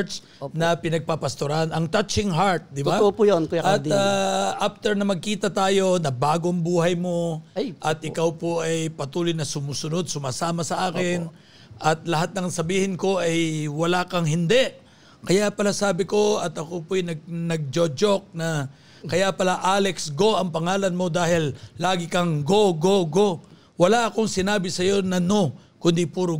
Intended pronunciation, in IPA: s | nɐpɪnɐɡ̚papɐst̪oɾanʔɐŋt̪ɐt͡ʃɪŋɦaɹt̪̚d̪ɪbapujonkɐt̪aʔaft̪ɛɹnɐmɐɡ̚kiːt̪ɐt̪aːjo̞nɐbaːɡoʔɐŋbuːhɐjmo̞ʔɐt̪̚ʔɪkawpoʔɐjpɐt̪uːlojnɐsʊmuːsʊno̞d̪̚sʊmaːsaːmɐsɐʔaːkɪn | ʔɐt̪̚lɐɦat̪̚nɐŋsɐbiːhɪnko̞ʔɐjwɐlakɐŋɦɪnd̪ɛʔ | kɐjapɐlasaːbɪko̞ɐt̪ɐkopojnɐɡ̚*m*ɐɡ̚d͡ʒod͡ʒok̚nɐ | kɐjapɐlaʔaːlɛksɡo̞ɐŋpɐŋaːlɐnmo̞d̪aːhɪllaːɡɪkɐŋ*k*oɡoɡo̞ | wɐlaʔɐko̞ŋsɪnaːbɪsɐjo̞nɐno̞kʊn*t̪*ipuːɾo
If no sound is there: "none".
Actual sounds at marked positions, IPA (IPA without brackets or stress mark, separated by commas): n, ɡ, d̪